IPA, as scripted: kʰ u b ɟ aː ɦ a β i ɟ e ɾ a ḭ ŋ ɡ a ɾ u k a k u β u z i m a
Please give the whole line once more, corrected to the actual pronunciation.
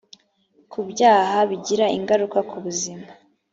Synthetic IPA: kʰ u b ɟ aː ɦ a β i ɟ i ɾ a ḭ ŋ ɡ a ɾ u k a k u β u z i m a